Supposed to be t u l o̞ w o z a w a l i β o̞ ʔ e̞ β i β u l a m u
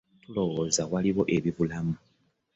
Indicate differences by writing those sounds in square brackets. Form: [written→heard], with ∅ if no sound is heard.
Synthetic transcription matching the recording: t u l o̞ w o z a w a l i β o̞ ʔ e̞ β i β u l a m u